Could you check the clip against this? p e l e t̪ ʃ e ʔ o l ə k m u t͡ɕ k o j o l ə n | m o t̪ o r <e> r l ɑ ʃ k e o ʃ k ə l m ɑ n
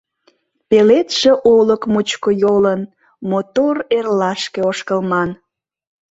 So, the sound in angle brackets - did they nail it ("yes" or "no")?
yes